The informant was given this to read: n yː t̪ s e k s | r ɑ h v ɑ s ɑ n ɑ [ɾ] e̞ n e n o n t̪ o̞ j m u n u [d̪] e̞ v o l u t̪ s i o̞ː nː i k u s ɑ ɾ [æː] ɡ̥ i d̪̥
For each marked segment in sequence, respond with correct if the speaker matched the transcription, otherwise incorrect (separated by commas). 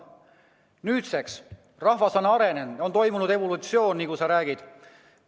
correct, correct, correct